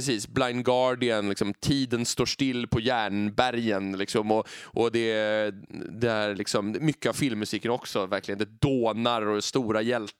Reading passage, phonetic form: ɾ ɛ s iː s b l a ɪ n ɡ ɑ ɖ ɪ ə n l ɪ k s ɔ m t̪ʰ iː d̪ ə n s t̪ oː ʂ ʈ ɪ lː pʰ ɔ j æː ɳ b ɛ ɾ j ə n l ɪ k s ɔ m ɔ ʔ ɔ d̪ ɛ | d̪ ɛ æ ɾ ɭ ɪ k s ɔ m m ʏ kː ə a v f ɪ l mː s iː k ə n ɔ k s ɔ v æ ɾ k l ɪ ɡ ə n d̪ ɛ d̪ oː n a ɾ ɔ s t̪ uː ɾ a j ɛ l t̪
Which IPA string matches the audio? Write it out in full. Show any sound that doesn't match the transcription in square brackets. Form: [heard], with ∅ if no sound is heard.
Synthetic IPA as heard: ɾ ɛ s iː s b l a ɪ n ɡ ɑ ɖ ɪ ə n l ɪ k s ɔ m t̪ʰ iː d̪ ə n s t̪ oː ʂ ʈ ɪ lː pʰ ɔ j æː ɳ b [æ] ɾ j ə n l ɪ k s ɔ m ɔ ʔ ɔ d̪ ɛ | d̪ ɛ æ ɾ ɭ ɪ k s ɔ m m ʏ kː ə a v f ɪ l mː s iː k ə n ɔ k s ɔ v æ ɾ k l ɪ ɡ ə n d̪ ɛ d̪ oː n a ɾ ɔ s t̪ uː ɾ a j ɛ l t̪